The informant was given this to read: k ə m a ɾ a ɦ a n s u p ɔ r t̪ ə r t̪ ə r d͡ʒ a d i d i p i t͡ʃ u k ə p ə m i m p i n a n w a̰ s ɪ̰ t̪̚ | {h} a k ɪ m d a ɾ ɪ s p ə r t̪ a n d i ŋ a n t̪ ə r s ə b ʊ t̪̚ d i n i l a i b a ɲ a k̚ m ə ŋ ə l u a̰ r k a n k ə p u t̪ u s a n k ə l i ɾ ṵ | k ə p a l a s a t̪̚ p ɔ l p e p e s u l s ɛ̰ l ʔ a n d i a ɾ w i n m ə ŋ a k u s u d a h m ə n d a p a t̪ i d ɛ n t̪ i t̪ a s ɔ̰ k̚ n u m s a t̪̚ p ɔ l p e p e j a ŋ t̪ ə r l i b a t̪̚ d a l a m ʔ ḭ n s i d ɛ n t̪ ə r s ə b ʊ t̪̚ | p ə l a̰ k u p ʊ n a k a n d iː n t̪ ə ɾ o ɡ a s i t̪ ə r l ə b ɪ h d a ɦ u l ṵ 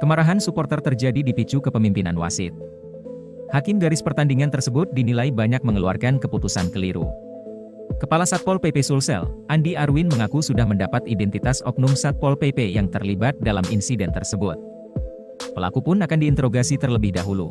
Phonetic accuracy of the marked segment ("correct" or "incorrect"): correct